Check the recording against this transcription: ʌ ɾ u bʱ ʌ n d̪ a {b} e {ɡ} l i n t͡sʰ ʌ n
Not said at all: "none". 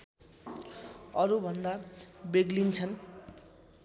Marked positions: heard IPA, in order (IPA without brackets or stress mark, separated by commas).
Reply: b, ɡ